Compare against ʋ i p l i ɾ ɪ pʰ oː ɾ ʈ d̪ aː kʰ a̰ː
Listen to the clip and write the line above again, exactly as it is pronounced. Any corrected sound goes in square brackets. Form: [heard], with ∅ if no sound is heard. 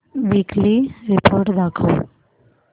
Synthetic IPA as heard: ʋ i [k] l i ɾ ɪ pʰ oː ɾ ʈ d̪ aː kʰ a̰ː